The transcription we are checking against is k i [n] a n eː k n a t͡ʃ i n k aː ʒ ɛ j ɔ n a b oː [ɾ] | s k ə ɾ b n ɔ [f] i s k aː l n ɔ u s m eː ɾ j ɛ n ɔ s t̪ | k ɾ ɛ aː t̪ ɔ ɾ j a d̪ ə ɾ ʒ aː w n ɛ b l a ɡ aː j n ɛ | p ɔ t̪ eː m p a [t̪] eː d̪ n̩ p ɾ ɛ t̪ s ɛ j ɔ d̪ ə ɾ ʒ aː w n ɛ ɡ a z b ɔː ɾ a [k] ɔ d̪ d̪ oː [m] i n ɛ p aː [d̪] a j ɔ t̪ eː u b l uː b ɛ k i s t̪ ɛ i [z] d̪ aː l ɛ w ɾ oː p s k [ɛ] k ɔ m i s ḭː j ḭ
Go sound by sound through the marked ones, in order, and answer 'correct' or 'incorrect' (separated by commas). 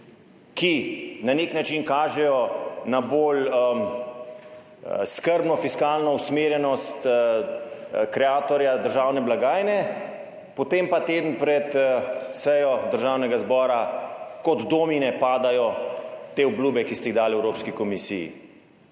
correct, incorrect, correct, correct, correct, correct, correct, incorrect, incorrect